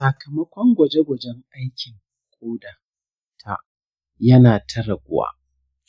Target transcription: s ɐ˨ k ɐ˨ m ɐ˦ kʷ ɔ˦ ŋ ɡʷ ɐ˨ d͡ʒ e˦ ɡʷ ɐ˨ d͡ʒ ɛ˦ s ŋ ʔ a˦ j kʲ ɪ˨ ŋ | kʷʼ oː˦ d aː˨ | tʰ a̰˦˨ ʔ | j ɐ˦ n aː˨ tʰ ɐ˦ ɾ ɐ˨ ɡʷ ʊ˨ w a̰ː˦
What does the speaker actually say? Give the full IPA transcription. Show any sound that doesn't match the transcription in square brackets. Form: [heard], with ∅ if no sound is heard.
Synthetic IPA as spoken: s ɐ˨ k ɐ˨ m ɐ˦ kʷ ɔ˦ ŋ ɡʷ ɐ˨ d͡ʒ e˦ ɡʷ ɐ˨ d͡ʒ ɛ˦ [∅] ŋ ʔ a˦ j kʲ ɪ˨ ŋ | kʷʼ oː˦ d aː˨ | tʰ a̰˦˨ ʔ | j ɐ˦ n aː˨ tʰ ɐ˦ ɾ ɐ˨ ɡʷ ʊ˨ w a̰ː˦